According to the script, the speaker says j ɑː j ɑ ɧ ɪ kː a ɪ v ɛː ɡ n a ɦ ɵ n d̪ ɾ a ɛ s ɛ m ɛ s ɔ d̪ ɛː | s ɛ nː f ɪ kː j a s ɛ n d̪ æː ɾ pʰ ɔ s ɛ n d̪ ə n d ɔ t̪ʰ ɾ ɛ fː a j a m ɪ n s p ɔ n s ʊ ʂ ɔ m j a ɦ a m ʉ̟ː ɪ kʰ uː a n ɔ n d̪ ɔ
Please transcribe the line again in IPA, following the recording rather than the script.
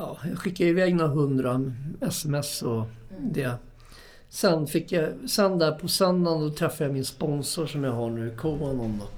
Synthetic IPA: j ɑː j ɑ ɧ ɪ kː a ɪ v ɛː ɡ n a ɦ ɵ n d̪ ɾ a ɛ s ɛ m ɛ s ɔ d̪ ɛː | s ɛ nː f ɪ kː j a s ɛ n d̪ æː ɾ pʰ ɔ s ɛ n d̪ a n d ɔ t̪ʰ ɾ ɛ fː a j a m ɪ n s p ɔ n s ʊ ʂ ɔ m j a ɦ a ɳ ʉ̟ː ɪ kʰ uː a n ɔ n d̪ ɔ